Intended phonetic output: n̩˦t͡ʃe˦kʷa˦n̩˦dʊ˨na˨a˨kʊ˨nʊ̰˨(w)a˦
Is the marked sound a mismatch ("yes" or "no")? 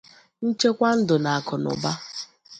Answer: yes